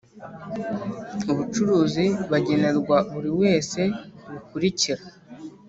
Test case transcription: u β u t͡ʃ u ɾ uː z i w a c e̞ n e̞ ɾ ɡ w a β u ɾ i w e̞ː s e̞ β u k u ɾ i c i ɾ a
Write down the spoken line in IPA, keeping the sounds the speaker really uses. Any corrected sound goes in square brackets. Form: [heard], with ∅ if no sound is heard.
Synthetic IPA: u β u t͡ʃ u ɾ uː z i [β] a [ɟ] e̞ n e̞ ɾ ɡ w a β u ɾ i w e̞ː s e̞ β u k u ɾ i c i ɾ a